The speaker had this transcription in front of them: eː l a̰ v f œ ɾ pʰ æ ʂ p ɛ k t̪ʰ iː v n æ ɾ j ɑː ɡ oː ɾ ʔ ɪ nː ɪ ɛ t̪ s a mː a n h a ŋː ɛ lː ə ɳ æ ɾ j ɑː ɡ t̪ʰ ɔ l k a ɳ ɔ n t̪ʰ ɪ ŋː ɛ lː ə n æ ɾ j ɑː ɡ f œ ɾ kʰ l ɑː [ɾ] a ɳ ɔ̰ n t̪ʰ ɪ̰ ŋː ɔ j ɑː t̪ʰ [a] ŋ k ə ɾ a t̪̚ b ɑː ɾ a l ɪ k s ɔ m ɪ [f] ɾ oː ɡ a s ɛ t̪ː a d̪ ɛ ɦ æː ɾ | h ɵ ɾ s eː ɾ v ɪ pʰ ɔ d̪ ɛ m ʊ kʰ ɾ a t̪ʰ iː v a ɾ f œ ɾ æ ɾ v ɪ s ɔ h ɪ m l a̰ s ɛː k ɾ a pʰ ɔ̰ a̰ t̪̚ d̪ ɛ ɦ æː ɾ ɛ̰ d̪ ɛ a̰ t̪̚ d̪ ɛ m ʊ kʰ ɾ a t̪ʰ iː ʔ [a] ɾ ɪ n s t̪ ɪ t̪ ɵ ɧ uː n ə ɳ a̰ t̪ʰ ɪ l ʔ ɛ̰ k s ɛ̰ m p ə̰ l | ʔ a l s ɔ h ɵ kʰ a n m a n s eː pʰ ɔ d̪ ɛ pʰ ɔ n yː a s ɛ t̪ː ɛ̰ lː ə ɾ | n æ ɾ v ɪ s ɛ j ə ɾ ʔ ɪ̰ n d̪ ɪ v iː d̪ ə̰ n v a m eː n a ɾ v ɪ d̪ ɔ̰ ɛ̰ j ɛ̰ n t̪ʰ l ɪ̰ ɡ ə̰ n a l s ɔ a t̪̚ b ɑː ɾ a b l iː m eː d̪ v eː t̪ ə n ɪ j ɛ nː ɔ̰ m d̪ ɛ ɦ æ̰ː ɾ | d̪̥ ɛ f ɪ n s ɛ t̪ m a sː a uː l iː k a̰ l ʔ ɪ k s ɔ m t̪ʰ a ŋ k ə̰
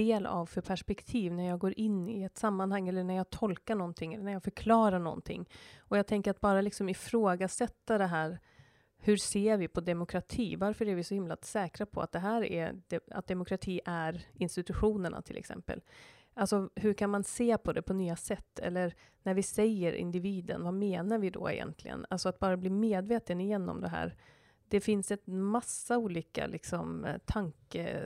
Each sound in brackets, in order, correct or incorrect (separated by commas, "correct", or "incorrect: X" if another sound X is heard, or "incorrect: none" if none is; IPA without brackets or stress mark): correct, incorrect: ɛ, correct, incorrect: æ